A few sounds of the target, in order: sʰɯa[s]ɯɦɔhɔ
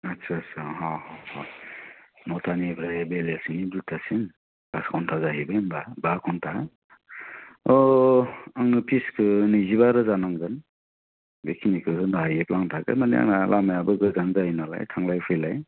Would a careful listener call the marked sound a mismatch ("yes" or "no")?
no